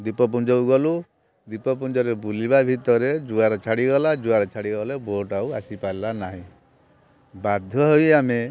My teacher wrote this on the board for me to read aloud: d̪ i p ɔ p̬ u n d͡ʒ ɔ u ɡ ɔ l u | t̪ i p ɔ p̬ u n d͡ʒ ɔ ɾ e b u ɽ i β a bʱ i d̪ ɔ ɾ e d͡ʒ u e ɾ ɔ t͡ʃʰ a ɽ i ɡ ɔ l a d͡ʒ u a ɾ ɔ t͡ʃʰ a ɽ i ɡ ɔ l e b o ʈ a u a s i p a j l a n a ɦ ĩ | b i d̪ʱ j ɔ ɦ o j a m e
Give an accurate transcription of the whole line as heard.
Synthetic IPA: d̪ i p ɔ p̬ u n d͡ʒ ɔ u ɡ ɔ l u | d̪ i p ɔ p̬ u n d͡ʒ ɔ ɾ e b u l i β a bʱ i t̪ ɔ ɾ e d͡ʒ u a ɾ ɔ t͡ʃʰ a ɽ i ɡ ɔ l a d͡ʒ u a ɾ ɔ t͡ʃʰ a ɽ i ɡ ɔ l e b o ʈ a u a s i p a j l a n a ɦ ĩ | b a d̪ʱ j ɔ ɦ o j a m e